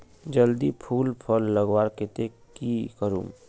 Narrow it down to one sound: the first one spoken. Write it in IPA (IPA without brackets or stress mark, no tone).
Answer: d͡ʒ